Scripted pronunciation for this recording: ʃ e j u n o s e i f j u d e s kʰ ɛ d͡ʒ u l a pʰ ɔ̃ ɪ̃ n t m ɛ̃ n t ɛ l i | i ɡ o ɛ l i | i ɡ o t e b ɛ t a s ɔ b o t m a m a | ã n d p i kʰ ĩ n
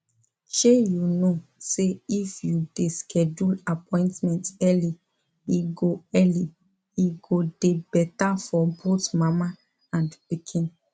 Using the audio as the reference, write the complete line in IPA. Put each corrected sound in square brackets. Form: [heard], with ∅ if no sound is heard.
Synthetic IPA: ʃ e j u n o s e i f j u d e s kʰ ɛ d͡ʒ u l a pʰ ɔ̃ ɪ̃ n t m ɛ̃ n t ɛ l i | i ɡ o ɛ l i | i ɡ o [d] e b ɛ t a [f] ɔ b o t m a m a | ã n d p i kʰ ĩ n